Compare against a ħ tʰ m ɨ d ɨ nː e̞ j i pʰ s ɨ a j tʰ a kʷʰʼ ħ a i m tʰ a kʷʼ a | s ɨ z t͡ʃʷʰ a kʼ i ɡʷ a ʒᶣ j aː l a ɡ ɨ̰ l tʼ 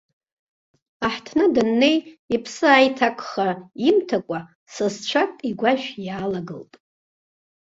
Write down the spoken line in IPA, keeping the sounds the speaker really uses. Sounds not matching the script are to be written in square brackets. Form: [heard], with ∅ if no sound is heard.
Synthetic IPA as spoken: a ħ tʰ [n] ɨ d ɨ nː e̞ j i pʰ s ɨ a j tʰ a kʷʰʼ [χ] a i m tʰ a kʷʼ a | s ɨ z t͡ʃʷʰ a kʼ i ɡʷ a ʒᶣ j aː l a ɡ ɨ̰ l tʼ